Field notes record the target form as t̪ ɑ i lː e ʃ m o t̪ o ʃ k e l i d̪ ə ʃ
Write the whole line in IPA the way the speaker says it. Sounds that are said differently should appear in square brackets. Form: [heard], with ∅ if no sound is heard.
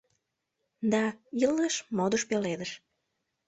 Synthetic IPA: [d̪] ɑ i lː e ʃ m o [d̪] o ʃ [p] e l [e] d̪ ə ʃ